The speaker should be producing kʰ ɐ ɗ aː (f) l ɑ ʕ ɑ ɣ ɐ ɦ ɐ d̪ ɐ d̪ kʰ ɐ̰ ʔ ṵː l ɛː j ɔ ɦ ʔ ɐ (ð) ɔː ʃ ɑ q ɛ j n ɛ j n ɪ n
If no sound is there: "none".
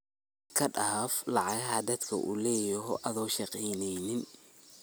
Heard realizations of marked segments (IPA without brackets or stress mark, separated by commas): f, ð